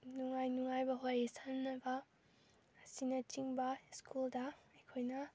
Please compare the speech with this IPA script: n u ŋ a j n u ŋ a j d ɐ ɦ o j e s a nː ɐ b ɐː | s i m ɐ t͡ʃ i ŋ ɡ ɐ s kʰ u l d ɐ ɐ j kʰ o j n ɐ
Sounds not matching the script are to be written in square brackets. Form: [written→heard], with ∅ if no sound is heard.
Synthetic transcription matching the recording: n u ŋ a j n u ŋ a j [d→b] ɐ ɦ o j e s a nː ɐ b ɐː | s i [m→n] ɐ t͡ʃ i ŋ [ɡ→b] ɐ s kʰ u l d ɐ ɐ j kʰ o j n ɐ